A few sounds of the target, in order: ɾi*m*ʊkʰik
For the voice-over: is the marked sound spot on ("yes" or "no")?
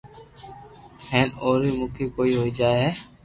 yes